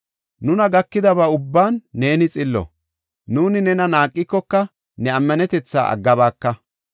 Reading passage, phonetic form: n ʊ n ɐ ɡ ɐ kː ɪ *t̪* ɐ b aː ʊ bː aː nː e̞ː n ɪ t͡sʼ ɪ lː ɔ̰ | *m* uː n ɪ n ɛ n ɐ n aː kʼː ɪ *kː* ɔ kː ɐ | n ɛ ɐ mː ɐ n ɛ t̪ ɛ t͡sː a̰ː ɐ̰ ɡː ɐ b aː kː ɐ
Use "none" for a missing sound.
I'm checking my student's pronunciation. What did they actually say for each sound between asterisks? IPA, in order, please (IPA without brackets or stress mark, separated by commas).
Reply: d̪, n, kː